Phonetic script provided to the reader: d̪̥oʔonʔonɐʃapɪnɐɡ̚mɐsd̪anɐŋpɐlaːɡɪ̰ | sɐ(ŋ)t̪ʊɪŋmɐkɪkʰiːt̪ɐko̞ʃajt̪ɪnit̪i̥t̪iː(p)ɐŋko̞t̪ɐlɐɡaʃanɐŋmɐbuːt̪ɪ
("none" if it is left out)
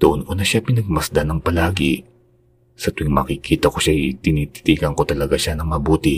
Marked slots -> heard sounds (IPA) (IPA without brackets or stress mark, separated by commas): none, k